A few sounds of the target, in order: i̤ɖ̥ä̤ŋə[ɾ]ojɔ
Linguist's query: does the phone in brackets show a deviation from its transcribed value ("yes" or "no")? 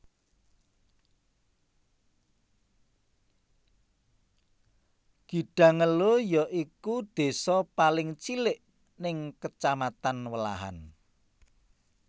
yes